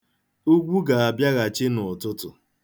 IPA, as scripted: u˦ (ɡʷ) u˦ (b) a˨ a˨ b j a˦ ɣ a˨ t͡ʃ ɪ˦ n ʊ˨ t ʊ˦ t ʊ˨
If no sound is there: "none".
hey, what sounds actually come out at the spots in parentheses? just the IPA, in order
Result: ɡʷ, ɡ

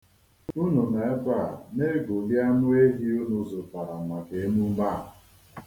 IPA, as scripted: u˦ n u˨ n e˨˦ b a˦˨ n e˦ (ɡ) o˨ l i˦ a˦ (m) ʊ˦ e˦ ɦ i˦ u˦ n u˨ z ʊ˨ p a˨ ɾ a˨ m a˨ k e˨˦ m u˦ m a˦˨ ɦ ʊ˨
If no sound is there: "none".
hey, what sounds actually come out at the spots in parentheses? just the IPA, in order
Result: ɡ, n

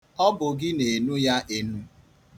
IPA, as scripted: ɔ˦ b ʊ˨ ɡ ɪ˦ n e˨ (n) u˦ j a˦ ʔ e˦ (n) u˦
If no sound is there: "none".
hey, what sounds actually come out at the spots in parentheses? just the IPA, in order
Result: n, n

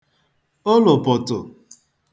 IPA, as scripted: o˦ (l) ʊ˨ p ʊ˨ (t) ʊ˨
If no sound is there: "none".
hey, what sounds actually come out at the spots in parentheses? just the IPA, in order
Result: l, t

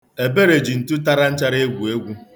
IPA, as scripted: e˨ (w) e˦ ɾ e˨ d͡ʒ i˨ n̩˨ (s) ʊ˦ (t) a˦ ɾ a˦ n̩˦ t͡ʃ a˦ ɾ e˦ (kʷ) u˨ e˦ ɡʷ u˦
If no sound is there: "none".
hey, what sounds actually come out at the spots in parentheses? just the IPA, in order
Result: b, t, t, ɡʷ

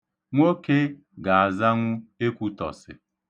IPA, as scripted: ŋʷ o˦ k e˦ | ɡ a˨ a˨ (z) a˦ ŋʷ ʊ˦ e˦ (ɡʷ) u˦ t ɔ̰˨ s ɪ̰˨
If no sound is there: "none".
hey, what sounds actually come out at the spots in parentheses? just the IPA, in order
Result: z, kʷ

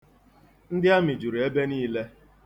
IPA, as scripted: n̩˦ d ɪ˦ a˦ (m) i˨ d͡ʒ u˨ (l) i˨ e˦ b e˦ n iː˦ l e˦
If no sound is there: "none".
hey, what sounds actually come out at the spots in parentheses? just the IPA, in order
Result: m, ɾ

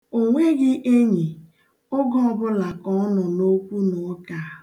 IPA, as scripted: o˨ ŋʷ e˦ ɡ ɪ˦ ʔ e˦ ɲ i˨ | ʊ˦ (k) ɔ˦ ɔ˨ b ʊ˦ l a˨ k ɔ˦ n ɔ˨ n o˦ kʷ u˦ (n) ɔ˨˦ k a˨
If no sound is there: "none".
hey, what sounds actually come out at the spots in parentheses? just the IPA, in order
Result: ɡ, n

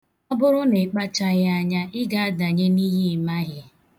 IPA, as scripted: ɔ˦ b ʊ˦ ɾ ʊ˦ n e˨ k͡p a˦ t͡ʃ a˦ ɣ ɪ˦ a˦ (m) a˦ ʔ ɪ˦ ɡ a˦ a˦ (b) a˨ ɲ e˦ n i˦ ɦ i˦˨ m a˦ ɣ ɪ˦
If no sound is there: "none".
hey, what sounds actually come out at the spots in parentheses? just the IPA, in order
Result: ɲ, d

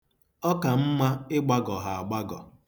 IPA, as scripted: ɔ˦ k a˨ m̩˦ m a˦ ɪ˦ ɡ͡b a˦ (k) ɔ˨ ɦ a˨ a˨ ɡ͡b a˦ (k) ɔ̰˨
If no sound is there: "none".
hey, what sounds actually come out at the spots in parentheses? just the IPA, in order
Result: ɡ, ɡ

